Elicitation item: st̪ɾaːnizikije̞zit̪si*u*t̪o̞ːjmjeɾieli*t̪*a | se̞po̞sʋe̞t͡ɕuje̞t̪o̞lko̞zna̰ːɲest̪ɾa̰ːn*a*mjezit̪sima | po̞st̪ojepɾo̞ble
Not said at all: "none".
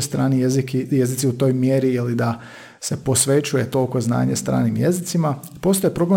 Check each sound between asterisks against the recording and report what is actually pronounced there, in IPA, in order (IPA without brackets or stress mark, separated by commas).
u, d̪, i